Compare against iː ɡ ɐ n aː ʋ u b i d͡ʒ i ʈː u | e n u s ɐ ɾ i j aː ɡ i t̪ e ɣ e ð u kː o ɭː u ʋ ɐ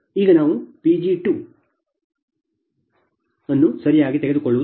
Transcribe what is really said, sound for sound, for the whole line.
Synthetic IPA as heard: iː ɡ ɐ n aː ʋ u p i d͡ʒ i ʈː u | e nː u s ɐ ɾ i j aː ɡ i t̪ e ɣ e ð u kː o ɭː u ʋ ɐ

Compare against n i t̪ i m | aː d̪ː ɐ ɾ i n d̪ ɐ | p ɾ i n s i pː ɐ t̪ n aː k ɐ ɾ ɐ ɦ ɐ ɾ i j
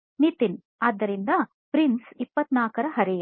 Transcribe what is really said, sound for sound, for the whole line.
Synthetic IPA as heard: n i t̪ i n | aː d̪ː ɐ ɾ i n d̪ ɐ | p ɾ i n s i pː ɐ t̪ n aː k ɐ ɾ ɐ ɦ ɐ ɾ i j

